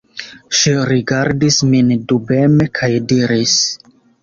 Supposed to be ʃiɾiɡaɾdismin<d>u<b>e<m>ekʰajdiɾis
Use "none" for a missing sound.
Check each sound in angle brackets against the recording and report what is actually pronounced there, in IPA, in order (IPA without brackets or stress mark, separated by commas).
d, b, m